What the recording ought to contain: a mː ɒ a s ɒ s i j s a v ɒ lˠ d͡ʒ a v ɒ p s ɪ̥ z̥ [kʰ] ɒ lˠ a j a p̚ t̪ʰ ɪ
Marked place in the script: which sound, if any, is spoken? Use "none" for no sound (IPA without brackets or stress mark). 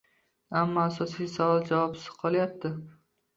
qʰ